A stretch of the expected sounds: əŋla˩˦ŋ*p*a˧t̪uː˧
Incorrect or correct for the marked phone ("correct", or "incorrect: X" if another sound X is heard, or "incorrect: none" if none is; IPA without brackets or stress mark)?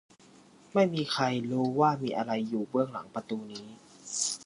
correct